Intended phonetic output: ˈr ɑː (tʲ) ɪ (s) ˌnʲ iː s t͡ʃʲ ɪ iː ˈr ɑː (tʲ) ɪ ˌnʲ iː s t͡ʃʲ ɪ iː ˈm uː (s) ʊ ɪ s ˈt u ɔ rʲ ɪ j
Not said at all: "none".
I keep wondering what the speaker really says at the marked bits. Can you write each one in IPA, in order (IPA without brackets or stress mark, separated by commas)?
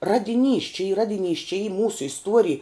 dʲ, none, dʲ, s